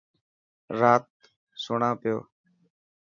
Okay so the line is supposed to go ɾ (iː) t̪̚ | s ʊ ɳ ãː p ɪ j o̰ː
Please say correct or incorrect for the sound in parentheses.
incorrect